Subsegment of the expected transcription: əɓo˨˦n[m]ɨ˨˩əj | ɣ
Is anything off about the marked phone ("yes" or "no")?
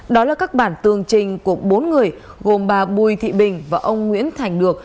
yes